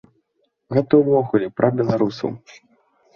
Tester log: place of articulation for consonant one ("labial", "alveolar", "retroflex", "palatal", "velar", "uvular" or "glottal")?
velar